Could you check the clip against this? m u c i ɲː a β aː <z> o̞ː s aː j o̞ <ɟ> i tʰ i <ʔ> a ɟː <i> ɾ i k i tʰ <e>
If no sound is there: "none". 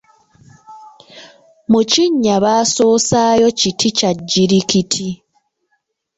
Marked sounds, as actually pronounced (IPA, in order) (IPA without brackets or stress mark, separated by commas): s, c, c, i, i